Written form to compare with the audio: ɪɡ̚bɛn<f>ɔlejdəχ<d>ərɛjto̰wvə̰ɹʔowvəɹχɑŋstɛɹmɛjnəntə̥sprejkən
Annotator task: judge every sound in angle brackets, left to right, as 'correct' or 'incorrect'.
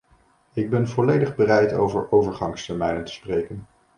incorrect: v, incorrect: b

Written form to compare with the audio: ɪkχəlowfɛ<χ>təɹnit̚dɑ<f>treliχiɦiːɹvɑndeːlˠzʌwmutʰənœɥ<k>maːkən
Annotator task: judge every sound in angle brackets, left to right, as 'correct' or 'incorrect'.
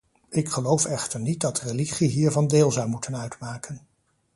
correct, incorrect: none, incorrect: t

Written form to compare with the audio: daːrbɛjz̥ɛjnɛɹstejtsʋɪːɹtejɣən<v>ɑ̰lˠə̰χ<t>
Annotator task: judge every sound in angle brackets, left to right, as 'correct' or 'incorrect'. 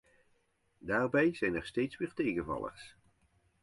correct, incorrect: s

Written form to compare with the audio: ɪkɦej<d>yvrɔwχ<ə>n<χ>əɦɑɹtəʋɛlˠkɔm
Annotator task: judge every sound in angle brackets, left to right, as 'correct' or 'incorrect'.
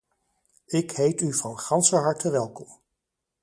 incorrect: t, incorrect: ɑ, incorrect: s

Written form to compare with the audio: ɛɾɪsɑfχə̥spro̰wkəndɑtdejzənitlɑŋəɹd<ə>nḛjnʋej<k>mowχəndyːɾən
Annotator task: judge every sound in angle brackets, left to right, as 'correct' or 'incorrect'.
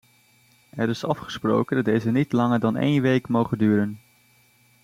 incorrect: ɑ, correct

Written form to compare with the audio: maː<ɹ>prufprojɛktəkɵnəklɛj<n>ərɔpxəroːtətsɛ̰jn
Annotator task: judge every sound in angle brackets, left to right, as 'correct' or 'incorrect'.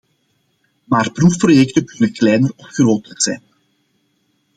incorrect: r, correct

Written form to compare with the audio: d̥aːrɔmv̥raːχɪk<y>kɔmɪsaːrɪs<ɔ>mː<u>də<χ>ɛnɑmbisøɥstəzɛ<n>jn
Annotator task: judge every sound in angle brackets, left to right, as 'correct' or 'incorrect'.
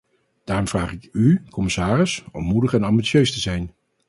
correct, correct, correct, correct, incorrect: none

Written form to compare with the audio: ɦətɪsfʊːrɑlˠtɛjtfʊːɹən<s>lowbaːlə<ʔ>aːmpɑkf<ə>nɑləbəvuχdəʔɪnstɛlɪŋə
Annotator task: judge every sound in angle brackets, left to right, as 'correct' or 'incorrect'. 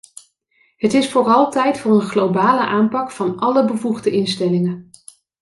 incorrect: χ, correct, incorrect: ɑ

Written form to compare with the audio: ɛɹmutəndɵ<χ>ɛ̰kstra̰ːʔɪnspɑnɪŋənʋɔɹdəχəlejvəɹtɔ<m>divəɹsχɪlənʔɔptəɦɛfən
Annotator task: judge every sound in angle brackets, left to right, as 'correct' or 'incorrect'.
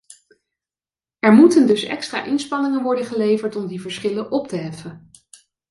incorrect: s, correct

